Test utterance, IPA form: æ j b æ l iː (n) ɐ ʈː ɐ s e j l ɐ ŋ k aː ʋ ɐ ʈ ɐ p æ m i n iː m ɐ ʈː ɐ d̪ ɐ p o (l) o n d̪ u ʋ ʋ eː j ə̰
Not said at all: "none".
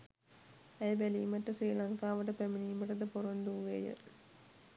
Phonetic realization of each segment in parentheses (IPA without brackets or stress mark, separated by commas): m, ɾ